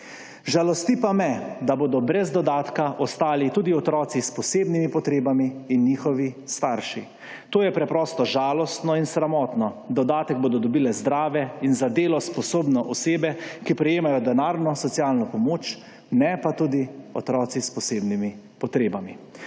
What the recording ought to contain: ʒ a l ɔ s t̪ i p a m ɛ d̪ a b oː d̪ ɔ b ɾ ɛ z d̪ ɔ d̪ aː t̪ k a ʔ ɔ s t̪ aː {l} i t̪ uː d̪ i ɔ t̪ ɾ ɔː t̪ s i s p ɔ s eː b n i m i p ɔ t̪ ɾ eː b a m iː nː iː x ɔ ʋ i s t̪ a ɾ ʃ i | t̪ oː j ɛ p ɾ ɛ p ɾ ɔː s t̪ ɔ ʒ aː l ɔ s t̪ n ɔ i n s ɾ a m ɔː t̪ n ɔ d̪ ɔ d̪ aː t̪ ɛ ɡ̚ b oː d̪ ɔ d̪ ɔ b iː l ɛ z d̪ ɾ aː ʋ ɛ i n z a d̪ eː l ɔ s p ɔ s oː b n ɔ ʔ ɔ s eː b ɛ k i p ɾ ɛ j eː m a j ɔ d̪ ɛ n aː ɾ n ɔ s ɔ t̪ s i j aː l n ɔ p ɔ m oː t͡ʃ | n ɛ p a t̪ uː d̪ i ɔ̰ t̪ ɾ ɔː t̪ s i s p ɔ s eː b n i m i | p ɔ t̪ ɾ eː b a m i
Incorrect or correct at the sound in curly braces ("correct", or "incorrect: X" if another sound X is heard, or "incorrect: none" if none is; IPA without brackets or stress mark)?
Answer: correct